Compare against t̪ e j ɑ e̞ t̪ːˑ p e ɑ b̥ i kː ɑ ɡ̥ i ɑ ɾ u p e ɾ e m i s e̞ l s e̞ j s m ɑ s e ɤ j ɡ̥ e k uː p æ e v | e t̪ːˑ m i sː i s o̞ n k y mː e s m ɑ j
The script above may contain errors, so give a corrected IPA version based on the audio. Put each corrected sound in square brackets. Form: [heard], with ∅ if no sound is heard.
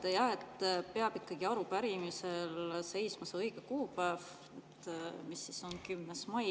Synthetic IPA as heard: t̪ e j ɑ e̞ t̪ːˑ p e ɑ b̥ i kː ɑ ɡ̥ i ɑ ɾ u p [æ] ɾ [i] m i s e̞ l s e̞ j s m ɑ s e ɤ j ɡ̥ e k uː p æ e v | e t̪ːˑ m i sː i s o̞ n k y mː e s m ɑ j